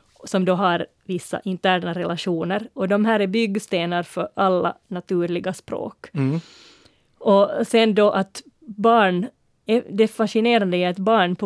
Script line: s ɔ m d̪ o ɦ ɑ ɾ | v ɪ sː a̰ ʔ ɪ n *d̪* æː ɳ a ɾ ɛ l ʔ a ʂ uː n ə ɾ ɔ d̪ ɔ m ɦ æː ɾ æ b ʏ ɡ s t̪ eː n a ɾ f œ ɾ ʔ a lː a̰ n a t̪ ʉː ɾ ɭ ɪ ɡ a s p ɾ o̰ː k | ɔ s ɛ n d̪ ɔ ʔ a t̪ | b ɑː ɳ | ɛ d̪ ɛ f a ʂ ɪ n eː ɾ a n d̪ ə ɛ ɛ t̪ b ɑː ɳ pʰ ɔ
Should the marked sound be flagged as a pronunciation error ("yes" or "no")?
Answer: yes